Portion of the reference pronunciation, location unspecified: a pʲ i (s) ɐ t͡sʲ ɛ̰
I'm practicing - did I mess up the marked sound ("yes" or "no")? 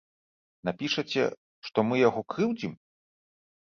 yes